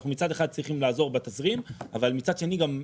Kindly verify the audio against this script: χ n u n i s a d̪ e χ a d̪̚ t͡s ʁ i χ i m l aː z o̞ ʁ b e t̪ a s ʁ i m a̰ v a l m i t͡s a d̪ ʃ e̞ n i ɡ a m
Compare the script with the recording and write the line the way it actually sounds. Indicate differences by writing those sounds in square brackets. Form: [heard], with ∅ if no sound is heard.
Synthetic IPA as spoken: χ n u [m] i [t͡s] a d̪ e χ a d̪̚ t͡s ʁ i χ i m l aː z o̞ ʁ b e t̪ a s ʁ i m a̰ v a l m i t͡s a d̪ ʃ e̞ n i ɡ a m